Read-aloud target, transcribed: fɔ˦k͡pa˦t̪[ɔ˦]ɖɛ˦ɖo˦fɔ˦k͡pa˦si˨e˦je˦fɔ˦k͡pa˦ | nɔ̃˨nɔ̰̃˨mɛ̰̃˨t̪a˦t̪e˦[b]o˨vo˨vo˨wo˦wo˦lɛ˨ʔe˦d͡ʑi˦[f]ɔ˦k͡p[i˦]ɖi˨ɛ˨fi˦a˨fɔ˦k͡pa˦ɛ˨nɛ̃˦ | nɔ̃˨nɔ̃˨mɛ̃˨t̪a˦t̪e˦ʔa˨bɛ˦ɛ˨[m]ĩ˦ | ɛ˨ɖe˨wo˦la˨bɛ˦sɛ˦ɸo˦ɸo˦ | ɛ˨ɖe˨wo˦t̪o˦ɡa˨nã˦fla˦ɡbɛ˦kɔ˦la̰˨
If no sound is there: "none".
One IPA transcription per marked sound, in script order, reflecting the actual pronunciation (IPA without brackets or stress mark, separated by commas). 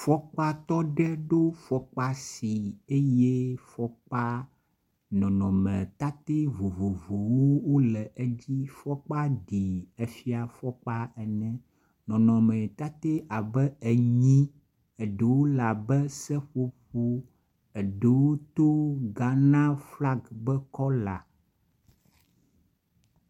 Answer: ɔ˦, v, f, a˦, ɲ